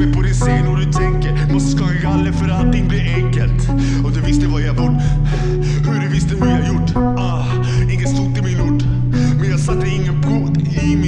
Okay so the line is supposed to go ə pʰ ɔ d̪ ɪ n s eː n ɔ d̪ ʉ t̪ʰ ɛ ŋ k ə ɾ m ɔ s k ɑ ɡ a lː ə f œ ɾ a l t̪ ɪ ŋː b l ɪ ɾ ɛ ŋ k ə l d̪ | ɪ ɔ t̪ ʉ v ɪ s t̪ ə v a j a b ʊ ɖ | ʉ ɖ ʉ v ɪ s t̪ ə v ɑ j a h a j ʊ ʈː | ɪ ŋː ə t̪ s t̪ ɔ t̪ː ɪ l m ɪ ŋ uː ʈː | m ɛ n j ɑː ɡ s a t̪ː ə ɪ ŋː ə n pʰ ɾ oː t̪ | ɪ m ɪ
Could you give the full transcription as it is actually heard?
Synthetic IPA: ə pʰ ɔ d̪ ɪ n s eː n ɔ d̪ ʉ t̪ʰ ɛ ŋ k ə ɾ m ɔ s k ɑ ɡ a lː ə f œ ɾ a l t̪ ɪ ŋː b l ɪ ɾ ɛ ŋ k ə l t̪ | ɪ ɔ d̪ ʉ v ɪ s t̪ ə v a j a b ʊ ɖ | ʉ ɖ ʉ v ɪ s t̪ ə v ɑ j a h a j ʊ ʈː | ɪ ŋː ə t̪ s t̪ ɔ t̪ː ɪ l m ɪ n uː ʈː | m ɛ n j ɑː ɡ s a t̪ː ə ɪ ŋː ə n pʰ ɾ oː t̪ | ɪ m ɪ